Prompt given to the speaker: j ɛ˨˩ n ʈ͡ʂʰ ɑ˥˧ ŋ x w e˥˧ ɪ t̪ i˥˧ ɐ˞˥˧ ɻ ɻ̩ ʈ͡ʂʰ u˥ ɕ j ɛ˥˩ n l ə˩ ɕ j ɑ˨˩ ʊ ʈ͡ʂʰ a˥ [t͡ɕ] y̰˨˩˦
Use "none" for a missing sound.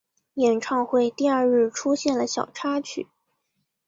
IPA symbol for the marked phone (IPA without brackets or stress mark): t͡ɕʰ